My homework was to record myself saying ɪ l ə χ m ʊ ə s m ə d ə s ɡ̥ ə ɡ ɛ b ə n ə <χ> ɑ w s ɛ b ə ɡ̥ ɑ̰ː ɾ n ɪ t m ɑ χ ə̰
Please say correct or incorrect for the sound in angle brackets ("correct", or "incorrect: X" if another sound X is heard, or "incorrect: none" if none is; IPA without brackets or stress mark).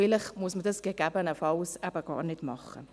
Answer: incorrect: f